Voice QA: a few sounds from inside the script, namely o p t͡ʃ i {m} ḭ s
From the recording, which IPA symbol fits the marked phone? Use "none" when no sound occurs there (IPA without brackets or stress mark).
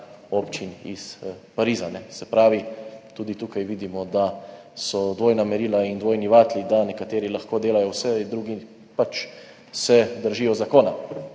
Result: n